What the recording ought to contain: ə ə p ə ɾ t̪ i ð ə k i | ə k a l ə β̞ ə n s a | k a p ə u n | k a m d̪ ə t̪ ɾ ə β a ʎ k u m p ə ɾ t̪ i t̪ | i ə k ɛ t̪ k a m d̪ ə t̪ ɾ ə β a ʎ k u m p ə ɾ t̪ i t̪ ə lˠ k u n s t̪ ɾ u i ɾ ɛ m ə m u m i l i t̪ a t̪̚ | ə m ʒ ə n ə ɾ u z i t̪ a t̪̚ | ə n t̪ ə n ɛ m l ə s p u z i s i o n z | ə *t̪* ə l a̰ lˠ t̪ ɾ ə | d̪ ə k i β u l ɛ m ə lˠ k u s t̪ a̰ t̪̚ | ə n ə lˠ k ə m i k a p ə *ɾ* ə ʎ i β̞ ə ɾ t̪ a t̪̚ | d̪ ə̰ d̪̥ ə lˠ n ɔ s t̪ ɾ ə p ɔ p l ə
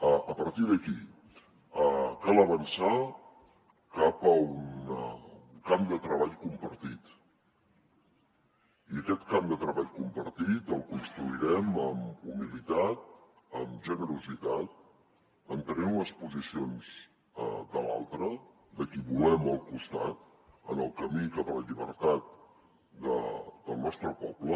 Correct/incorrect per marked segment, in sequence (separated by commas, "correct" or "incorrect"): incorrect, incorrect